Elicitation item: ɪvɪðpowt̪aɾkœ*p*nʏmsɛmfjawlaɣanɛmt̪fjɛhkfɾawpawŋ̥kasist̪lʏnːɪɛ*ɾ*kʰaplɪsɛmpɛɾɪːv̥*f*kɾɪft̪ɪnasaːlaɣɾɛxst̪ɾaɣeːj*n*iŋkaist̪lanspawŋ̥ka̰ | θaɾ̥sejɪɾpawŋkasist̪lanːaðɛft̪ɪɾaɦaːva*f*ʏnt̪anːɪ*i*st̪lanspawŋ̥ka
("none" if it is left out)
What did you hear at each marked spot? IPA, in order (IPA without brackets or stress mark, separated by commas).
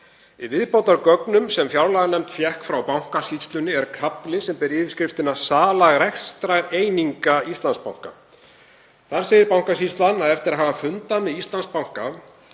k, ɾ, s, n, f, i